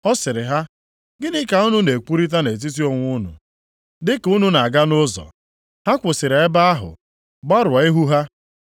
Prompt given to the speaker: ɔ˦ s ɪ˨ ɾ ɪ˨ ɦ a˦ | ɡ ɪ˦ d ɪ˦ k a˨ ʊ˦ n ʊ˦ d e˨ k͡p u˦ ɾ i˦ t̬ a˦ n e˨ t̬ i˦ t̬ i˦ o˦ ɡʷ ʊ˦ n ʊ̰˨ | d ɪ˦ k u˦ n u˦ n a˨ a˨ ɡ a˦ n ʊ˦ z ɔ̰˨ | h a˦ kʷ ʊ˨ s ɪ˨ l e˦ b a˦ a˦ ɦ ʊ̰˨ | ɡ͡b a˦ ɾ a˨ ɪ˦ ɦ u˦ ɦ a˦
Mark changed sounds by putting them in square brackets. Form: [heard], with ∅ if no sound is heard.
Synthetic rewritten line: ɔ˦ s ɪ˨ ɾ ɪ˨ ɦ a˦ | ɡ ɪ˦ [n] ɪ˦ k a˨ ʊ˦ n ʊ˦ [n] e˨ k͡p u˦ ɾ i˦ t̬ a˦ n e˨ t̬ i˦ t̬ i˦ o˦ [ŋʷ] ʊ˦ n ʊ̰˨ | d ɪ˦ k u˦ n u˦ n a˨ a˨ ɡ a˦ n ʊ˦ z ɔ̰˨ | h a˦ kʷ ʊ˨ s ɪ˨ [ɾ] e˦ b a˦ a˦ ɦ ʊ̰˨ | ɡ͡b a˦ ɾ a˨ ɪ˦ ɦ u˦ ɦ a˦